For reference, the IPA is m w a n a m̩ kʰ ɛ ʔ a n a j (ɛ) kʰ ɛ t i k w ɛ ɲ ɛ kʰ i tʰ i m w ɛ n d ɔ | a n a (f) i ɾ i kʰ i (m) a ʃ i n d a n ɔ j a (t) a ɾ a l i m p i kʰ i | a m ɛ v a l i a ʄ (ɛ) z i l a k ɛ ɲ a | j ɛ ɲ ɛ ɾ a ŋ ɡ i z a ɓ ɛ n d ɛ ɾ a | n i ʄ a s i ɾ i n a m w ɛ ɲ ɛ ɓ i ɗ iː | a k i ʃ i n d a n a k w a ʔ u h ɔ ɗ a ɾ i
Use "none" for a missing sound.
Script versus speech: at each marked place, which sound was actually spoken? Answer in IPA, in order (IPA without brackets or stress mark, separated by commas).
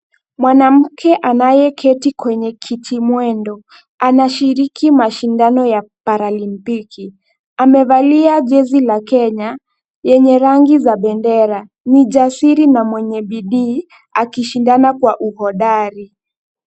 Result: ɛ, ʃ, m, p, ɛ